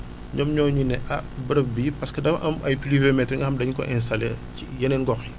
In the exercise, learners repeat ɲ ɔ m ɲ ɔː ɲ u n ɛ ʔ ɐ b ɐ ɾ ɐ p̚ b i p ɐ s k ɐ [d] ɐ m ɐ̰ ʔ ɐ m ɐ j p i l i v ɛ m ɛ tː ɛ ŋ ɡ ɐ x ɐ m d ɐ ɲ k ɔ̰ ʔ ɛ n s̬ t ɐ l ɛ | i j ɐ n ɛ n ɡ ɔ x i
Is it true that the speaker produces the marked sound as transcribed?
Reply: yes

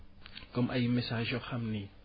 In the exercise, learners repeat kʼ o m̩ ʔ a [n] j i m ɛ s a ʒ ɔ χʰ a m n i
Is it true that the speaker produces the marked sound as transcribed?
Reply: no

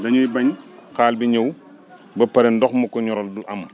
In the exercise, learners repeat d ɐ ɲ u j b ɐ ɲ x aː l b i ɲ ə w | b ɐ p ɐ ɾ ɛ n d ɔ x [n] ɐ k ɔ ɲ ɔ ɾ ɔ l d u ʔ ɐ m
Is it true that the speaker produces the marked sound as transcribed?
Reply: no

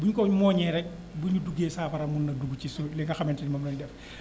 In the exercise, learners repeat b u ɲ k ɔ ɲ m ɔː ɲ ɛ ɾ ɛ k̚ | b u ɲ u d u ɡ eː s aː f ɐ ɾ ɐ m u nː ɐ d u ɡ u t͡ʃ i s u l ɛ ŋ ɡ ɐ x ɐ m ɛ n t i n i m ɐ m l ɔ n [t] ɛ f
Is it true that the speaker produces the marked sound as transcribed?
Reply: no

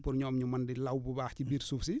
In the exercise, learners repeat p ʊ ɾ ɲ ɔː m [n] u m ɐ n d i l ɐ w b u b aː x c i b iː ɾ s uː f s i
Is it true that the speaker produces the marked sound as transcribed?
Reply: no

